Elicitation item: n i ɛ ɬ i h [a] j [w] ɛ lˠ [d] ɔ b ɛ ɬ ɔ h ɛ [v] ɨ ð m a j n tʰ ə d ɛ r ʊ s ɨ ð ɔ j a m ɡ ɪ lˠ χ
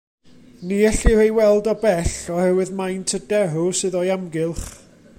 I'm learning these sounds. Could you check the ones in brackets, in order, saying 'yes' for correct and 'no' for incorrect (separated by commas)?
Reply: no, yes, yes, no